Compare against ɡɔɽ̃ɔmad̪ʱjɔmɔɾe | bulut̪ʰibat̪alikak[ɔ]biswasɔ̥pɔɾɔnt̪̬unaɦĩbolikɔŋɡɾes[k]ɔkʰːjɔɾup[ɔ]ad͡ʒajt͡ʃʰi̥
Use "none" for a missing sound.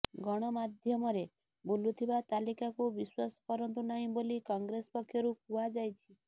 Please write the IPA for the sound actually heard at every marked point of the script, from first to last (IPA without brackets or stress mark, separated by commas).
u, p, u